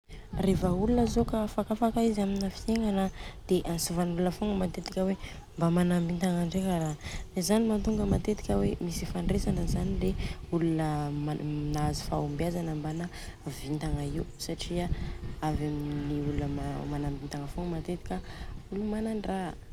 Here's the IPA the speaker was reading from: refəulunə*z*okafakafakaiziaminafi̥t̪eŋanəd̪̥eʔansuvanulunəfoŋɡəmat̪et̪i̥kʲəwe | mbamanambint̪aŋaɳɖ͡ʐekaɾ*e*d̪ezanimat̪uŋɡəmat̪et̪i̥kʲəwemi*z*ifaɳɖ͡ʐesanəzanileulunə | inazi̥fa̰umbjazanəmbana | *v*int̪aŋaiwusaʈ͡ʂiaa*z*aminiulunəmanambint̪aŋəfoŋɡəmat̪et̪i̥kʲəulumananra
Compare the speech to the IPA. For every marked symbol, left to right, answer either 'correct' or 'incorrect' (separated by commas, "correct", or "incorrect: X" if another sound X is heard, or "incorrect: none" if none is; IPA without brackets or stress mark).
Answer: correct, incorrect: a, incorrect: s, correct, incorrect: v